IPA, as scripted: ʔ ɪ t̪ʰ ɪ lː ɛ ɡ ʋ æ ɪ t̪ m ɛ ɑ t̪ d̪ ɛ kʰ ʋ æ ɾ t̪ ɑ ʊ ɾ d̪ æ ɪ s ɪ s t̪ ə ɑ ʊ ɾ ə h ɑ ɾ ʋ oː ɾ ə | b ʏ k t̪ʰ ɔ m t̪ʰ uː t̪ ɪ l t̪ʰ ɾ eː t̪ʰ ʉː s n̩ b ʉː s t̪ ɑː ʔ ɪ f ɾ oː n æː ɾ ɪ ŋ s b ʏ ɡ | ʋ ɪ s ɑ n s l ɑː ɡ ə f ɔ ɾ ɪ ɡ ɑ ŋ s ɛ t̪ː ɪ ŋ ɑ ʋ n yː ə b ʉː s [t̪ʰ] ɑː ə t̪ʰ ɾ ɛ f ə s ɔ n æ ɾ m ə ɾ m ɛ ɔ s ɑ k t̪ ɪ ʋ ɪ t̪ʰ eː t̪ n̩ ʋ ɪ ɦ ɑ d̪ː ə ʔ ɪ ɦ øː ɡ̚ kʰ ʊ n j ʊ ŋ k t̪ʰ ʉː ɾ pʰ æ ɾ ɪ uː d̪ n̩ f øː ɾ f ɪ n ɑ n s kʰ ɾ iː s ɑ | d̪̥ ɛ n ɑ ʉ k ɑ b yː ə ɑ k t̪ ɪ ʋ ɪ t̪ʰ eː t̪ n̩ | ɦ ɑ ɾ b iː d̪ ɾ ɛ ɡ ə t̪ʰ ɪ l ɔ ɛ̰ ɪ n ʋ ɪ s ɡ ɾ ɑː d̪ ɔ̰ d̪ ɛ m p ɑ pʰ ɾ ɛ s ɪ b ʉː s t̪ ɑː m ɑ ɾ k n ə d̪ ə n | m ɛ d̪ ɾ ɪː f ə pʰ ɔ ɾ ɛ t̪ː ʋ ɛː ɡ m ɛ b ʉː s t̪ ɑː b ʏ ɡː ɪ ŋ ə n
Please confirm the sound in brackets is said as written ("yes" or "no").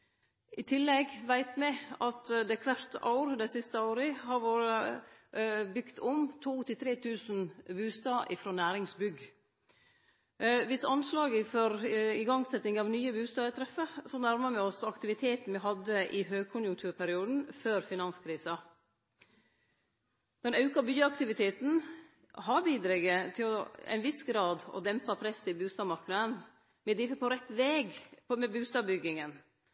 no